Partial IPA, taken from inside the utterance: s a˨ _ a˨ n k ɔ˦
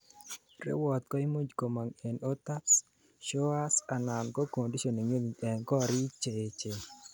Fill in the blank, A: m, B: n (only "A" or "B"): B